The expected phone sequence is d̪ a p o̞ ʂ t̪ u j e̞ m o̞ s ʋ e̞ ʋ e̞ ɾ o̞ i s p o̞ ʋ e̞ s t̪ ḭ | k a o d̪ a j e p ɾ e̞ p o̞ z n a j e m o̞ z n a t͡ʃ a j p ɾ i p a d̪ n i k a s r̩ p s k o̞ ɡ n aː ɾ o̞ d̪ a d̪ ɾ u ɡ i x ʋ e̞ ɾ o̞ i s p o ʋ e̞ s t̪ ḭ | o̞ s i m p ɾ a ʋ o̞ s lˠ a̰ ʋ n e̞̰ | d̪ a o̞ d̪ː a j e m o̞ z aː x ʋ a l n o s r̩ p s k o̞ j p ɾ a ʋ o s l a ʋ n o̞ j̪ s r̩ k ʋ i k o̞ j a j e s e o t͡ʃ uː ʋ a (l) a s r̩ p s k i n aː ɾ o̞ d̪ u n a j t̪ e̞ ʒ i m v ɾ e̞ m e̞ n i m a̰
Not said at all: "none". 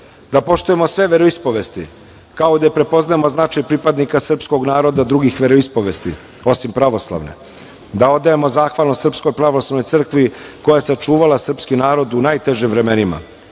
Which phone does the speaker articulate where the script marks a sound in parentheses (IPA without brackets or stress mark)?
l